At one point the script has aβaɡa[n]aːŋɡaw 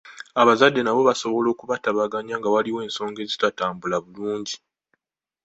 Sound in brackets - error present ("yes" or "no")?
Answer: yes